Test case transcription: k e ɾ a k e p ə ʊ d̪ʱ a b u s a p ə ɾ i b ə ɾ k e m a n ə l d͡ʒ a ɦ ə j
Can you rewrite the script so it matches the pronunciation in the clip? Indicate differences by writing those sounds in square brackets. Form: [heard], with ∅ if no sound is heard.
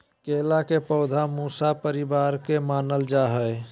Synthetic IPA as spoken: k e [l] a k e p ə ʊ d̪ʱ a [m] u s a p ə ɾ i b [a] ɾ k e m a n ə l d͡ʒ a ɦ ə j